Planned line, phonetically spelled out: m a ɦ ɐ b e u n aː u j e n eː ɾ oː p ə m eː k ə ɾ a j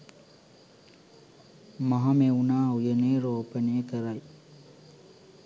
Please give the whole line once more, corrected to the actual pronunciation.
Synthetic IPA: m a ɦ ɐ m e u n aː u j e n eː ɾ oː p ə n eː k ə ɾ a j